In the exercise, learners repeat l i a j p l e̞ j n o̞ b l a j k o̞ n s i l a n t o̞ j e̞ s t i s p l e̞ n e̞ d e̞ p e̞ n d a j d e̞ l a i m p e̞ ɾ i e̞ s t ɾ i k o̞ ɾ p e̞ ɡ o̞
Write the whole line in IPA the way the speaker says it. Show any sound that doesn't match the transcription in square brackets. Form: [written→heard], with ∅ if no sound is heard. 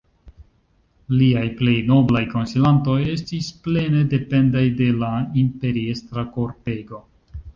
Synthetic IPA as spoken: l i a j p l e̞ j n o̞ b l a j k o̞ n s i l a n t o̞ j e̞ s t i s p l e̞ n e̞ d e̞ p e̞ n d a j d e̞ l a i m p e̞ ɾ i e̞ s t ɾ [i→a] k o̞ ɾ p e̞ ɡ o̞